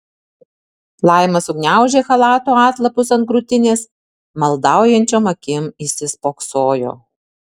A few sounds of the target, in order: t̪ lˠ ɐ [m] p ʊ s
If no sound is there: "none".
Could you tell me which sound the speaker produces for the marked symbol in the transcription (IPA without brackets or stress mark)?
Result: none